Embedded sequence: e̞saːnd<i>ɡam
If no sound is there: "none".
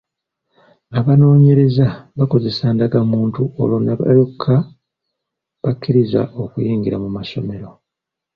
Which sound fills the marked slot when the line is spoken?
a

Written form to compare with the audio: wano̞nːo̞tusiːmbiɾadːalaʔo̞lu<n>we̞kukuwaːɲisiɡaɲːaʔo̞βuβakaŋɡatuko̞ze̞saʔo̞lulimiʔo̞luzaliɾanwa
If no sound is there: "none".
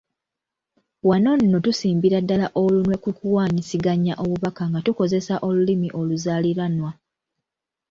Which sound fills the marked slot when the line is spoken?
n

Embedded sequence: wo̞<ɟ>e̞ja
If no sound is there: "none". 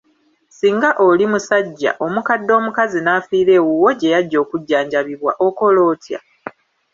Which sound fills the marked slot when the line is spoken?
ɟ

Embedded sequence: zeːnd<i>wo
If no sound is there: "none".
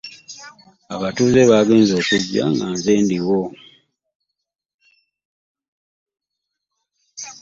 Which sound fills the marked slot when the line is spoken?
i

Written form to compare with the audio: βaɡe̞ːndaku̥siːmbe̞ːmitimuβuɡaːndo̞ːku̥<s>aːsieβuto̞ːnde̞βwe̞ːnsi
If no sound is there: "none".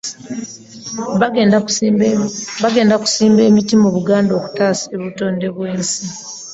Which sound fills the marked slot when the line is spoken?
t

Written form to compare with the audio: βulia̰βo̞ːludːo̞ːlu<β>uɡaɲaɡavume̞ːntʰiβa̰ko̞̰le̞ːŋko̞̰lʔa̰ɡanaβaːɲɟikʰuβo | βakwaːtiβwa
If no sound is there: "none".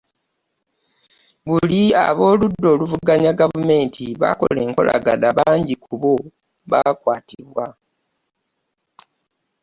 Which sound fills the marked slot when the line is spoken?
v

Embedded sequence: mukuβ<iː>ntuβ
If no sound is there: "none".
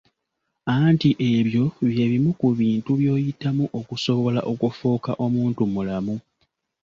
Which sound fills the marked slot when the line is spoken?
iː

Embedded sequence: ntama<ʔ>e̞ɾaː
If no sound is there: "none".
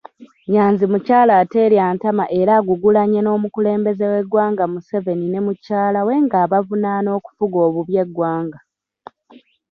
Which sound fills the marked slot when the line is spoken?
ʔ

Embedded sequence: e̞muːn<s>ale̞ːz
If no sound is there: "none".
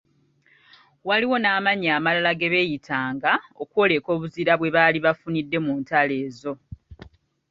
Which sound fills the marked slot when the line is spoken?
t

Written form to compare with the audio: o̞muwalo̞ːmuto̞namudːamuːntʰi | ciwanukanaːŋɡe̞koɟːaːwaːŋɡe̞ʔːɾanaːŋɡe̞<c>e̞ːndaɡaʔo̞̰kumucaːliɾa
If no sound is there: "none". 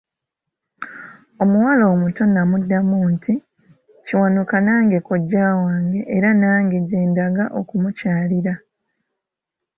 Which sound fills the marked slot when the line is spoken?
ɟ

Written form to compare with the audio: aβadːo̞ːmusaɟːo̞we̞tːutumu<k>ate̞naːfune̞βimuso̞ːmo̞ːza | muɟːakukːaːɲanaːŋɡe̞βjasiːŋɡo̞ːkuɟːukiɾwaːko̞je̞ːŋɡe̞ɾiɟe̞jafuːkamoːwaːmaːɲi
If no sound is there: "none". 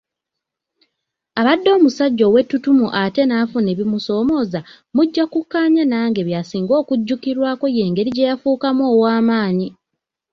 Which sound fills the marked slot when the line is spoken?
ʔ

